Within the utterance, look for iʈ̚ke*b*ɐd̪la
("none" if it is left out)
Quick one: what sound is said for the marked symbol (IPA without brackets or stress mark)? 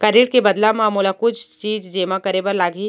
b